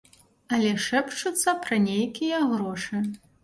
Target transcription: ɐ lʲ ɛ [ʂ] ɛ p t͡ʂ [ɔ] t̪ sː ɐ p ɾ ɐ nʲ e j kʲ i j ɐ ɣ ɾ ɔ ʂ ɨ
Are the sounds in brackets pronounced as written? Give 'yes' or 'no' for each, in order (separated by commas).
yes, no